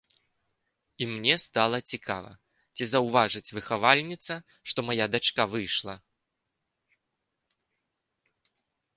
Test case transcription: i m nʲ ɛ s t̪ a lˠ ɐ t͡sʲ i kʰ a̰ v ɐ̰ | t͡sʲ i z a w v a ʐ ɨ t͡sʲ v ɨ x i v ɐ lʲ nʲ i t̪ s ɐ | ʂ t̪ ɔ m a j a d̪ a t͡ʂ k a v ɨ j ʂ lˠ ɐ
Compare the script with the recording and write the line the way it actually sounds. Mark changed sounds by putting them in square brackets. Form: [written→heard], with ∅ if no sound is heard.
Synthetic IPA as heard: i m nʲ ɛ s t̪ a lˠ ɐ t͡sʲ i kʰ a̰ v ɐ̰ | t͡sʲ i z [a→ɐ] w v a ʐ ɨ t͡sʲ v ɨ x [i→a] v [ɐ→a] lʲ nʲ i t̪ s ɐ | ʂ t̪ ɔ m a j a d̪ a t͡ʂ k a v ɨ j ʂ lˠ ɐ